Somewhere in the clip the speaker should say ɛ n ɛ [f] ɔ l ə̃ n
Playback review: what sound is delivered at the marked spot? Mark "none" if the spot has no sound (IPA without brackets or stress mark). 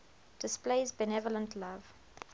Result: v